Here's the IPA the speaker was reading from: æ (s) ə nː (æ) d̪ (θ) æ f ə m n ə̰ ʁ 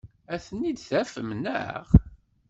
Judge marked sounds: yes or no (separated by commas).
no, no, yes